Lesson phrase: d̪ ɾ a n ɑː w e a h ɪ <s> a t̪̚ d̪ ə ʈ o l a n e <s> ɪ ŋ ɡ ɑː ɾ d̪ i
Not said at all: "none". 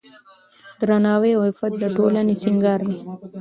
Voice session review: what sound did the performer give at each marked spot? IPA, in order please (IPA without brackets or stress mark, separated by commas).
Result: f, s